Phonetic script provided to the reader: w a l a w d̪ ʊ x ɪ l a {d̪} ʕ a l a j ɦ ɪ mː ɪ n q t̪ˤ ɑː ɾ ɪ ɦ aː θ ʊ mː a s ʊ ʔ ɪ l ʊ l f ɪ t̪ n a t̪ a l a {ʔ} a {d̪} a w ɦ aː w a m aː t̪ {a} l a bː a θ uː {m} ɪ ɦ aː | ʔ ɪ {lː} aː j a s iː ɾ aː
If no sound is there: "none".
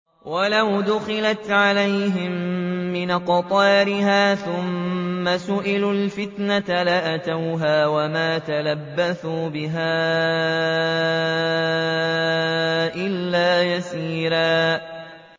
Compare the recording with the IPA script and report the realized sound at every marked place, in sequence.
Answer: t̪, ʔ, t̪, a, b, lː

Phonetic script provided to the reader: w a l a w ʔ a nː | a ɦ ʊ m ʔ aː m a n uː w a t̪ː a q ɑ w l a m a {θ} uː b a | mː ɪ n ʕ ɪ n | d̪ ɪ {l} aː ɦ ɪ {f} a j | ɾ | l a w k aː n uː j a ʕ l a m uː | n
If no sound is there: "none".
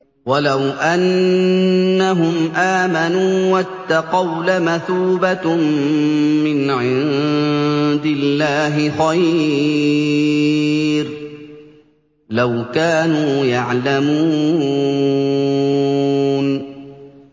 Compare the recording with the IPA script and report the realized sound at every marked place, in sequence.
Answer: θ, lː, x

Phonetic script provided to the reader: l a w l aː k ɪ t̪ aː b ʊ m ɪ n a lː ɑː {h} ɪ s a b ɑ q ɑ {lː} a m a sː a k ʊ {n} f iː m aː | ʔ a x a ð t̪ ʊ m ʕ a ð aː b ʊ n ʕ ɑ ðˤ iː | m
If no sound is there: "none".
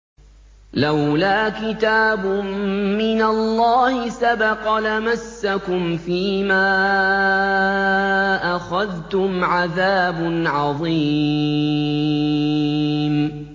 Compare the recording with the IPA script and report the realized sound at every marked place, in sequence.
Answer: h, l, m

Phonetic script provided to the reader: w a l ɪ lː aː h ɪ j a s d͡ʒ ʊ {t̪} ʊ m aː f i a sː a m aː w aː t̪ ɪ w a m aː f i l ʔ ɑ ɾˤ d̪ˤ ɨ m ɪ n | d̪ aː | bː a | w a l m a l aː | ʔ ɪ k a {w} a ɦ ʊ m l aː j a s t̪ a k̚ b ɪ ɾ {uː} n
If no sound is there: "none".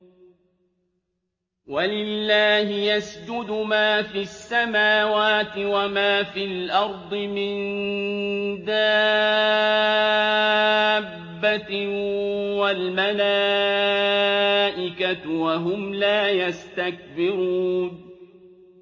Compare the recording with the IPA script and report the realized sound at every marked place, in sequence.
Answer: d̪, w, uː

